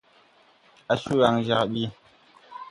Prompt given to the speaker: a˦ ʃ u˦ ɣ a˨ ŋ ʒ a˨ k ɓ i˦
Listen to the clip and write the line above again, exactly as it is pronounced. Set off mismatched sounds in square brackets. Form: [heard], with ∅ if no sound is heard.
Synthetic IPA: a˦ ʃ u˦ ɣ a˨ ŋ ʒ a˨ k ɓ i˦